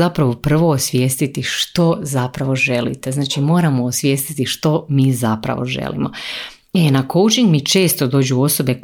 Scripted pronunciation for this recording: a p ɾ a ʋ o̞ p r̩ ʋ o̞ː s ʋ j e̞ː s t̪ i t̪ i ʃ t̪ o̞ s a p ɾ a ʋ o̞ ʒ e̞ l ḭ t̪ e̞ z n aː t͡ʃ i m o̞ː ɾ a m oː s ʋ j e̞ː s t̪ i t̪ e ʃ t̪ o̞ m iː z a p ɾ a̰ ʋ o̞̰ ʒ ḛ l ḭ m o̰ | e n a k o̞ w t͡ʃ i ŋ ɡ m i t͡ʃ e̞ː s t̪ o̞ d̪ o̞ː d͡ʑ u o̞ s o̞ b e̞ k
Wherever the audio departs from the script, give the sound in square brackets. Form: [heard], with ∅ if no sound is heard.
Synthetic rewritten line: a p ɾ a ʋ o̞ p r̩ ʋ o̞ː s ʋ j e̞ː s t̪ i t̪ i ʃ t̪ o̞ [z] a p ɾ a ʋ o̞ ʒ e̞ l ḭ t̪ e̞ z n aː t͡ʃ i m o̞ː ɾ a m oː s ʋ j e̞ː s t̪ i t̪ [i] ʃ t̪ o̞ m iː z a p ɾ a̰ ʋ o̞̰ ʒ ḛ l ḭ m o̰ | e n a k o̞ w t͡ʃ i ŋ ɡ m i t͡ʃ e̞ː s t̪ o̞ d̪ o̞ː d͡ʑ u o̞ s o̞ b e̞ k